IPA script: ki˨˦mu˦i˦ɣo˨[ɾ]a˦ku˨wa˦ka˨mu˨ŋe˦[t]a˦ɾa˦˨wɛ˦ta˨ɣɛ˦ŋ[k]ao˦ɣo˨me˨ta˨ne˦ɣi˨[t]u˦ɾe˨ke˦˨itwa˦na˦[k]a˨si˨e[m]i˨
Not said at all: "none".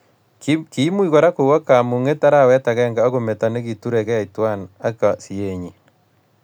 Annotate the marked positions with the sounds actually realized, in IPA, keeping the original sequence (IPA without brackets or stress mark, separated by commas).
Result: ɾ, t, ɡ, t, k, ɲ